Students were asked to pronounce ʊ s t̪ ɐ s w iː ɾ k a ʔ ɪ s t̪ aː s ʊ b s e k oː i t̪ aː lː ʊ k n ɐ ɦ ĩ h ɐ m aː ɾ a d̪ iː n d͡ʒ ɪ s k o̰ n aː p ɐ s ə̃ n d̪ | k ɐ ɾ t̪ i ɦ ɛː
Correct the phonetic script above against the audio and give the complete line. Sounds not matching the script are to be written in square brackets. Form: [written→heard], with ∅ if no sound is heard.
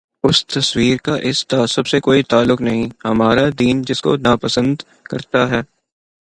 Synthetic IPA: ʊ s t̪ ɐ s w iː ɾ k a ʔ ɪ s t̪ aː s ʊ b s e k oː i t̪ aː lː ʊ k n ɐ ɦ ĩ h ɐ m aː ɾ a d̪ iː n d͡ʒ ɪ s k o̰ n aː p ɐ s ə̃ n d̪ | k ɐ ɾ t̪ [i→a] ɦ ɛː